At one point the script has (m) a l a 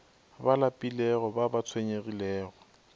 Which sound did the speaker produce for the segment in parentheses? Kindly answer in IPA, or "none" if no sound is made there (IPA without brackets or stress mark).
b